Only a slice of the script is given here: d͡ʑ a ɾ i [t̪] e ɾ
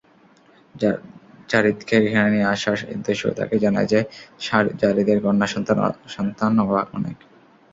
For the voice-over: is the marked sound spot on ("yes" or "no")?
no